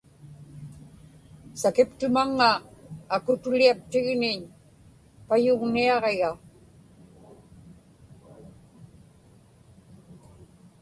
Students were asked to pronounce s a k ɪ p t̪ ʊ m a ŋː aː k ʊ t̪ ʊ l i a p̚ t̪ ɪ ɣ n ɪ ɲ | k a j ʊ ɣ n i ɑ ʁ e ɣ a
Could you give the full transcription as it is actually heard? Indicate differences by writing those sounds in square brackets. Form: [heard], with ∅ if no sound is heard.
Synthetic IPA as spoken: s a k ɪ p t̪ ʊ m a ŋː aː k ʊ t̪ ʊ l i a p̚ t̪ ɪ ɣ n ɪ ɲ | [p] a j ʊ ɣ n i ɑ ʁ e ɣ a